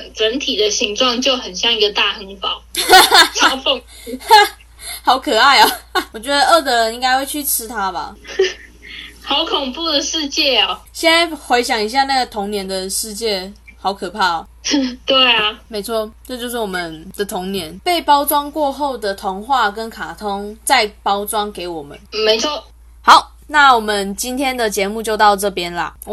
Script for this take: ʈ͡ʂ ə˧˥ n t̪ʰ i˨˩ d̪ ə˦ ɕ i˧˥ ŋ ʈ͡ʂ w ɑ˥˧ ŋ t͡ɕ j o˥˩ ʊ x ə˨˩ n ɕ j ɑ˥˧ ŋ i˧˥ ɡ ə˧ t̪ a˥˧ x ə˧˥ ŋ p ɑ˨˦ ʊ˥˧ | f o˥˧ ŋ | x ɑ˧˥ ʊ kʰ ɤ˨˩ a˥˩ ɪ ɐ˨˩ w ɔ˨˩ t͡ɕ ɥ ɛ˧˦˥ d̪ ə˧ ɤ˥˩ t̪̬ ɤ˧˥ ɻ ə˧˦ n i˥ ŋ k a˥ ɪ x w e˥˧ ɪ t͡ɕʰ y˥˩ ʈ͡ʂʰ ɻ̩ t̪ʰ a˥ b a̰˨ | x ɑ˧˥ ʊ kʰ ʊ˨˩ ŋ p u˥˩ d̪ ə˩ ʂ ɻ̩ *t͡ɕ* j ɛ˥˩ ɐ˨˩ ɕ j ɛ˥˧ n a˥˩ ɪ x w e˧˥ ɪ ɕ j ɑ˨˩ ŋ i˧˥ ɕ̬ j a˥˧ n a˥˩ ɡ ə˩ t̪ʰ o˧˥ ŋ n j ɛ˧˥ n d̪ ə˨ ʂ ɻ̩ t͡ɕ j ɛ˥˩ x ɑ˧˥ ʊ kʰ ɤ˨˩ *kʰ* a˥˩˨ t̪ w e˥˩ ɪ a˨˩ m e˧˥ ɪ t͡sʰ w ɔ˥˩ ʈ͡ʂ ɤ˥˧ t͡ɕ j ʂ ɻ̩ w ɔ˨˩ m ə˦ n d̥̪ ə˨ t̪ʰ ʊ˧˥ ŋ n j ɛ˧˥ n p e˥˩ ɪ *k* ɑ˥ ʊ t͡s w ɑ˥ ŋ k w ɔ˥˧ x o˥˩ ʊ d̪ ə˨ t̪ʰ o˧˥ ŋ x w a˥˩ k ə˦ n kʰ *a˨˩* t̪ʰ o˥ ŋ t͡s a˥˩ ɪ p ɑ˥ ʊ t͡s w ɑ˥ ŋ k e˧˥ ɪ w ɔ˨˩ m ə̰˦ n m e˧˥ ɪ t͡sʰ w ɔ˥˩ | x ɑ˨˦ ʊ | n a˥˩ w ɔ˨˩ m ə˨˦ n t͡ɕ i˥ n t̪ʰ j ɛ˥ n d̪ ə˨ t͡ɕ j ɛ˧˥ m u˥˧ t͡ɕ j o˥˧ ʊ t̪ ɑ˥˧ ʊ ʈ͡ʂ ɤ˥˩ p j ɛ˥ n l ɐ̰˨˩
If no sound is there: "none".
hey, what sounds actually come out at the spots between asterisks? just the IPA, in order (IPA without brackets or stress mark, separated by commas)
t͡ɕ, pʰ, p, a˨˩